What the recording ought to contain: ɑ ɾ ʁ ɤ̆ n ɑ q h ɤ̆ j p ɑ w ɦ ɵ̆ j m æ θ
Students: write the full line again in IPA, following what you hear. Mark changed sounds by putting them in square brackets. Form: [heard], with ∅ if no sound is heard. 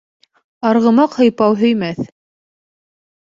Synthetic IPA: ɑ ɾ ʁ ɤ̆ [m] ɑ q h ɤ̆ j p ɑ w ɦ ɵ̆ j m æ θ